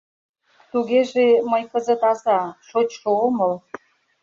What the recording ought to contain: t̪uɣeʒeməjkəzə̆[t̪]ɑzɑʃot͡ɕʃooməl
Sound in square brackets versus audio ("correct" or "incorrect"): correct